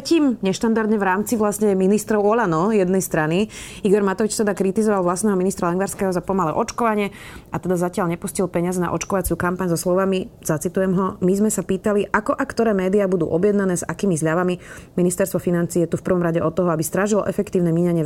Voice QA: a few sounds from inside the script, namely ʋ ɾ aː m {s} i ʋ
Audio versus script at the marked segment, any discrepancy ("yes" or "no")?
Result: yes